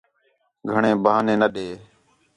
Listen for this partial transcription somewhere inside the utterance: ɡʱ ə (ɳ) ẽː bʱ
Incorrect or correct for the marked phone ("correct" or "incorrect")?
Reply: correct